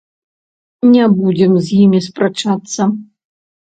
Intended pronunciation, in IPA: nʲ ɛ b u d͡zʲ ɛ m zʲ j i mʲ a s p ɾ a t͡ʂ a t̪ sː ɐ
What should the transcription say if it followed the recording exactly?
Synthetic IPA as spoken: nʲ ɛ b u d͡zʲ ɛ m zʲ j i mʲ i s p ɾ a t͡ʂ a t̪ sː ɐ